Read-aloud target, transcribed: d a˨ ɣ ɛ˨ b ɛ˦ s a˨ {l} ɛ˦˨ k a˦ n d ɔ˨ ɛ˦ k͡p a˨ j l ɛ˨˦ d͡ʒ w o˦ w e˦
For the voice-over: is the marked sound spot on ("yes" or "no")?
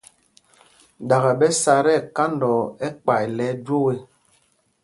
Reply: no